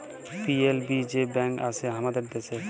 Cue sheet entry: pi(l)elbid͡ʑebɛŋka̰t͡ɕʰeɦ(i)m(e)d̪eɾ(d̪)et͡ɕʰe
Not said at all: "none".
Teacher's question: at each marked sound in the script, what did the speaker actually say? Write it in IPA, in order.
none, a, a, d̪

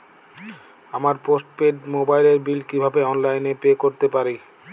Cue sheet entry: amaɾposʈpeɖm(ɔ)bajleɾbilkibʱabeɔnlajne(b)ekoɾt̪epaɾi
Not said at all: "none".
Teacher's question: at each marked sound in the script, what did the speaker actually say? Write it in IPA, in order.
o, p

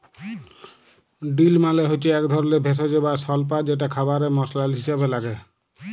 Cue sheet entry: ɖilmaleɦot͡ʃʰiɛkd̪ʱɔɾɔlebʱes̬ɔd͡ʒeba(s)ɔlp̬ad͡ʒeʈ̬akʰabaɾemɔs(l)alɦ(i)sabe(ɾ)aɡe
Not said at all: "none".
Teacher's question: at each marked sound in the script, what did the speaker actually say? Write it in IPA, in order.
s, l, i, l

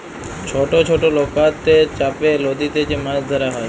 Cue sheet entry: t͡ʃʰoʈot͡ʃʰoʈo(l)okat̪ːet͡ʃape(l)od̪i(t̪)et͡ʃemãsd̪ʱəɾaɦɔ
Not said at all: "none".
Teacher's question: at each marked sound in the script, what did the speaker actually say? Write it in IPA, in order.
l, l, t̪

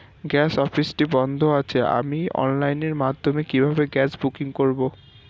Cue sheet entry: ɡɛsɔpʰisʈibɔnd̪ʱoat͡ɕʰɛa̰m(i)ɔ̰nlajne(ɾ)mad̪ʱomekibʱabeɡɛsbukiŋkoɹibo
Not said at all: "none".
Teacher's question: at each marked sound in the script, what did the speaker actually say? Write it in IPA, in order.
i, ɹ

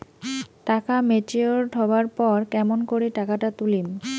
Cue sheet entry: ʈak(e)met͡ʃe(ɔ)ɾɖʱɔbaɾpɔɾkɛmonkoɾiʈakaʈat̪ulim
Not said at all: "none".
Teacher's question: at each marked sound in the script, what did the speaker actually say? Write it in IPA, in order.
a, o

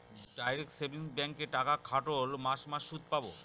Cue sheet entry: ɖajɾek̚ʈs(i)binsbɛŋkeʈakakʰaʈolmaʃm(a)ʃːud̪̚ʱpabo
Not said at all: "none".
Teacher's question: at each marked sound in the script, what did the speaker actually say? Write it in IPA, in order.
e, a

